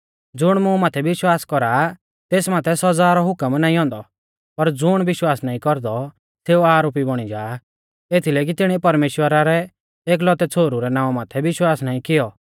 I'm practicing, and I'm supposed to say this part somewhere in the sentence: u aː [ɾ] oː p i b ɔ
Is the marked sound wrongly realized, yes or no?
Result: no